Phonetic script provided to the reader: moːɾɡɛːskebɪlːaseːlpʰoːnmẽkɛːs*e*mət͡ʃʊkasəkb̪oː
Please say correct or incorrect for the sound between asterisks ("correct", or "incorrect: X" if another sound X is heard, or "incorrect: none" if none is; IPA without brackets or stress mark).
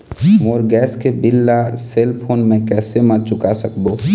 correct